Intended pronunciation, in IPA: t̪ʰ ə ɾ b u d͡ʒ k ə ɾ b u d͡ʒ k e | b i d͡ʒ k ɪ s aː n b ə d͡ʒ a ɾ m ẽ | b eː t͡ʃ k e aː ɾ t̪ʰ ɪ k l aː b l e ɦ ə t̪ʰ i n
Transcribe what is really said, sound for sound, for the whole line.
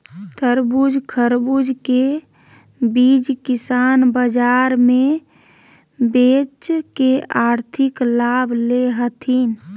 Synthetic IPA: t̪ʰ ə ɾ b u d͡ʒ kʰ ə ɾ b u d͡ʒ k e | b i d͡ʒ k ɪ s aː n b ə d͡ʒ a ɾ m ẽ | b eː t͡ʃ k e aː ɾ t̪ʰ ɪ k l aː b l e ɦ ə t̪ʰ i n